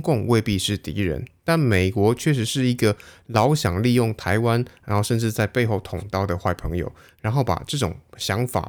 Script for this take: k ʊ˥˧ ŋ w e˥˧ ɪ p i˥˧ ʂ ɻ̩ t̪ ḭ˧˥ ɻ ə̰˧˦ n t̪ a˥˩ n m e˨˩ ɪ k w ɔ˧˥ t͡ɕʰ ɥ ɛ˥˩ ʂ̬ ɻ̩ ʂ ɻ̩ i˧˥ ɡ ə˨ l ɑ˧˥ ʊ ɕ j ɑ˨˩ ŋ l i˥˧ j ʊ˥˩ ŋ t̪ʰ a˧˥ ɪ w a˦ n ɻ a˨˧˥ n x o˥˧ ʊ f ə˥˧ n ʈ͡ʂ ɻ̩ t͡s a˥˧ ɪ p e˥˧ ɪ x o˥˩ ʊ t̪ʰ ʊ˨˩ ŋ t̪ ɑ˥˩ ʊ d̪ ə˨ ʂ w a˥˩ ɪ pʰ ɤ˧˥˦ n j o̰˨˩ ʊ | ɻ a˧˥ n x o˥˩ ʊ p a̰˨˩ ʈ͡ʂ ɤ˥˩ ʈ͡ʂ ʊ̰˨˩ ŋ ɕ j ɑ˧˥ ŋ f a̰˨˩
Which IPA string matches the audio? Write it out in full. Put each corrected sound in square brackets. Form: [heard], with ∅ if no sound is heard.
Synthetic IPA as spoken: k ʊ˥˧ ŋ w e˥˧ ɪ p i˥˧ ʂ ɻ̩ t̪ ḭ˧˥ ɻ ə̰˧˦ n t̪ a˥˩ n m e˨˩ ɪ k w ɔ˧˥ t͡ɕʰ ɥ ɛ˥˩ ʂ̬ ɻ̩ ʂ ɻ̩ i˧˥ ɡ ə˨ l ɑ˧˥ ʊ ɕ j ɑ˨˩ ŋ l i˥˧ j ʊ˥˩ ŋ t̪ʰ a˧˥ ɪ w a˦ n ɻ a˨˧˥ n x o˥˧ ʊ [ʂ] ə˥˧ n ʈ͡ʂ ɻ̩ t͡s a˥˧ ɪ p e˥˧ ɪ x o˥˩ ʊ t̪ʰ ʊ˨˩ ŋ t̪ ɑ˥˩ ʊ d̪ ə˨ [x] w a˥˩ ɪ pʰ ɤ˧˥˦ [ŋ] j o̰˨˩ ʊ | ɻ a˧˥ n x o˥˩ ʊ p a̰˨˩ ʈ͡ʂ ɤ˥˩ ʈ͡ʂ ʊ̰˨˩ ŋ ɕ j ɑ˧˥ ŋ f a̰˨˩